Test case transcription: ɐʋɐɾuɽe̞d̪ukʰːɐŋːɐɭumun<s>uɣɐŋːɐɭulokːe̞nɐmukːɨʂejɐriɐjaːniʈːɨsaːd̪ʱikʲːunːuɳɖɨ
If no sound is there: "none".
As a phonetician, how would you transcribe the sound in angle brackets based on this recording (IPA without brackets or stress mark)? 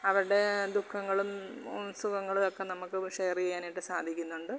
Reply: s